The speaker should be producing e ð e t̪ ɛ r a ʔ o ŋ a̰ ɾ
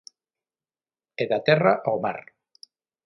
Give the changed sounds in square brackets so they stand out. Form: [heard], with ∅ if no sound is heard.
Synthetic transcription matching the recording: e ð [a] t̪ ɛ r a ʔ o [m] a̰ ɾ